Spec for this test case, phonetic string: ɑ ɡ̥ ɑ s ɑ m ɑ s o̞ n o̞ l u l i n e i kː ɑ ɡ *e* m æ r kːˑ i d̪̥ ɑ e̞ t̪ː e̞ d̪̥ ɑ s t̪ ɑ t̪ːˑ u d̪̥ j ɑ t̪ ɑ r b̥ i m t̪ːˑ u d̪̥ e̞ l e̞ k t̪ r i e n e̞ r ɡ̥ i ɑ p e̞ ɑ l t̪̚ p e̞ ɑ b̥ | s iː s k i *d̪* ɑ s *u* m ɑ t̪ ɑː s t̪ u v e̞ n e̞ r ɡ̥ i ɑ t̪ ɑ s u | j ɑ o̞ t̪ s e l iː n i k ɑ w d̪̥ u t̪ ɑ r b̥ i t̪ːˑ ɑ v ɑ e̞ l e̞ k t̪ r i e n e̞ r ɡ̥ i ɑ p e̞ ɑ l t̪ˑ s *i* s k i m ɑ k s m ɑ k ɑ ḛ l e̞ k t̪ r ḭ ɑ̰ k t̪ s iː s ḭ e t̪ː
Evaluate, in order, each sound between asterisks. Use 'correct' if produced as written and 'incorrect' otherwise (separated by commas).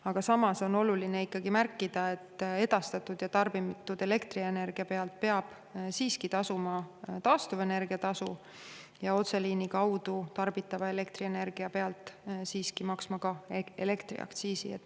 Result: incorrect, incorrect, correct, incorrect